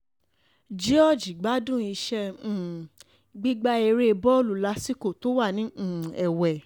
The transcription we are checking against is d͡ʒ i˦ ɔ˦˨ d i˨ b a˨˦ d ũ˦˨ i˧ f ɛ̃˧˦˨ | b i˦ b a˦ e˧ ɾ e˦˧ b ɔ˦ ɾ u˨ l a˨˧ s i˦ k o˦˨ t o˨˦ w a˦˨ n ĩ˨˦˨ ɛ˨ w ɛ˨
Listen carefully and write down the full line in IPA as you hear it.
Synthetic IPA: d͡ʒ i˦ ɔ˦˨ d͡ʒ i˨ ɡ͡b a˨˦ d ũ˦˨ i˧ ʃ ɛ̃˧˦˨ | ɡ͡b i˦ ɡ͡b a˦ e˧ ɾ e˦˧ b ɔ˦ l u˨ l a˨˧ s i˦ k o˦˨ t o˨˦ w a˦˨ n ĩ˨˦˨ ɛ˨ w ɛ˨